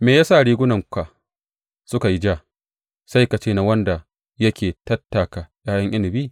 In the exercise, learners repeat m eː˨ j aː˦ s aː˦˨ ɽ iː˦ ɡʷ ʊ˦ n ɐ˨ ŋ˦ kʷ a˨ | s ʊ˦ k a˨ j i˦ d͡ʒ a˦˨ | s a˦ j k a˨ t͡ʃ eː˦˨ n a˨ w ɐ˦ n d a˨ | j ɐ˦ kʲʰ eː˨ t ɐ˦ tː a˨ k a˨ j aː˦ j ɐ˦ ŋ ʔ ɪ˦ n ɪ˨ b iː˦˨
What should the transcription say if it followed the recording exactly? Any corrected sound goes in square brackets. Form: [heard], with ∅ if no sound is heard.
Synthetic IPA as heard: m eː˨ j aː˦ s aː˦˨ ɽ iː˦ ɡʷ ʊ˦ n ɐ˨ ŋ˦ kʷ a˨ | s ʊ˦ k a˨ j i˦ d͡ʒ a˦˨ | s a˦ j k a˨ t͡ʃ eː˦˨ n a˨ w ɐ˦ n d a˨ | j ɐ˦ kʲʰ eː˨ t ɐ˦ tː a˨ k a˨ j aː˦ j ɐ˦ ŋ ʔ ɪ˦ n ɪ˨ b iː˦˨